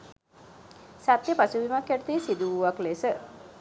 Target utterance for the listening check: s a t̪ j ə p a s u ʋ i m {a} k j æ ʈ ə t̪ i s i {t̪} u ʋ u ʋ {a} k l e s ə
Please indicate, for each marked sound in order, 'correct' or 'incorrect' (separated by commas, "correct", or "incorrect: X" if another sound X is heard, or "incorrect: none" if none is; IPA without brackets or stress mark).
correct, incorrect: d̪, correct